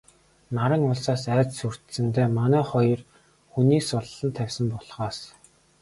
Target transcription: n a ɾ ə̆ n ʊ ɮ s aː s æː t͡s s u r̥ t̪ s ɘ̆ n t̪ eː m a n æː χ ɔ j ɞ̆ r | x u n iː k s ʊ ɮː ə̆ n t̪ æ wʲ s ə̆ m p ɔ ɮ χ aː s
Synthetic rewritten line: n a ɾ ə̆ ŋ ʊ ɮ s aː s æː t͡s s u r̥ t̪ s ɘ̆ n t̪ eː m a n æː χ ɔ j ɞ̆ r | x u n iː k s ʊ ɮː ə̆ n t̪ʰ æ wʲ s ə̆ m p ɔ ɮ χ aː s

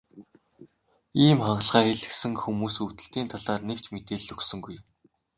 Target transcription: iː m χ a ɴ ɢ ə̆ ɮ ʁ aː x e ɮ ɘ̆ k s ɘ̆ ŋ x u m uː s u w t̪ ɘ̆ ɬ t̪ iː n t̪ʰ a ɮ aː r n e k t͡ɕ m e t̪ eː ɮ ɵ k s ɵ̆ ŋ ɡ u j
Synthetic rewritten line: iː m χ a ɴ ɢ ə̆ ɮ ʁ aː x e ɮ ɘ̆ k s ɘ̆ ŋ x u m uː s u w t̪ ɘ̆ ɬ t̪ iː n t̪ʰ a ɮ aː r n e k t͡ɕ m e t̪ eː ɮ ɵ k s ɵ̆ ŋ ɡ u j

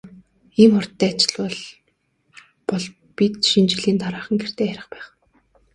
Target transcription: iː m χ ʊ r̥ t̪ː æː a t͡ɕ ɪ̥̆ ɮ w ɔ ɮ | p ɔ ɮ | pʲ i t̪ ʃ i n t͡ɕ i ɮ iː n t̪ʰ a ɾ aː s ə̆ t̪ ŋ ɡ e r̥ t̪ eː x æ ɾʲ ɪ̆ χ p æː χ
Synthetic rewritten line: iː m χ ʊ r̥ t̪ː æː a t͡ɕ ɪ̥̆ ɮ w ɔ ɮ | p ɔ ɮ | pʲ i t̪ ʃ i n t͡ɕ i ɮ iː n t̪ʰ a ɾ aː χ ə̆ ŋ ɡ e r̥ t̪ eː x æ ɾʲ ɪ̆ χ p æː χ

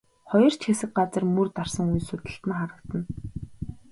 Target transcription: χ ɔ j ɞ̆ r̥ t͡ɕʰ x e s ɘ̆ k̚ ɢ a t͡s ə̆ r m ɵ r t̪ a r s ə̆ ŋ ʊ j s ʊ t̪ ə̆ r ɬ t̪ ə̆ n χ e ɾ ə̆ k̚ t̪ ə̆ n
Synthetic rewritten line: χ ɔ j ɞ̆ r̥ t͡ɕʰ x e s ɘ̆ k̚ ɢ a t͡s ə̆ r m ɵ r t̪ a r s ə̆ ŋ u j s ʊ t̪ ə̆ ɬ t̪ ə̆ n χ a ɾ ə̆ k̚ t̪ ə̆ n

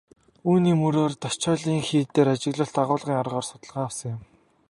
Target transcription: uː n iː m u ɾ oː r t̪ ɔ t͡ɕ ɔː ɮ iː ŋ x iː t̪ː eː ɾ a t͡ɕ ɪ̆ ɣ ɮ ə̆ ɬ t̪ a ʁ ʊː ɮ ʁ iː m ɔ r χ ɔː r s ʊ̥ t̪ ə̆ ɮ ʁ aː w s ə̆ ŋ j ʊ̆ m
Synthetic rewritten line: uː n iː m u ɾ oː r t̪ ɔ t͡ɕ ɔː ɮ iː ŋ x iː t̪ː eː ɾ a t͡ɕ ɪ̆ ɣ ɮ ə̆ ɬ t̪ a ʁ ʊː ɮ ʁ iː ŋ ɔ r ʁ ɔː r s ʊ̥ t̪ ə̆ ɮ ʁ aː w s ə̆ ŋ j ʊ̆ m

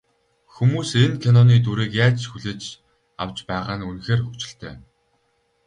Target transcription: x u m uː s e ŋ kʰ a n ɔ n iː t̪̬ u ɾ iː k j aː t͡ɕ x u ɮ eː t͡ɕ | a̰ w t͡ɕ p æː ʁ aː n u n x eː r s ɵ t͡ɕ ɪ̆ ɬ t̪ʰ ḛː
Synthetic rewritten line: x u m uː s e n kʰ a n ɔ n iː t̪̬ u ɾ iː k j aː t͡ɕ x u ɮ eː t͡ɕ | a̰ w t͡ɕ p æː ʁ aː n u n x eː r x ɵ t͡ɕ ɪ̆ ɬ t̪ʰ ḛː

